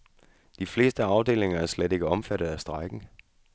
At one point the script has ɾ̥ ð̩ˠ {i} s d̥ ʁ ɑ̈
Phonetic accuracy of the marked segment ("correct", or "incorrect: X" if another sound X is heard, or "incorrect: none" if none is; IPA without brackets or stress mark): incorrect: æ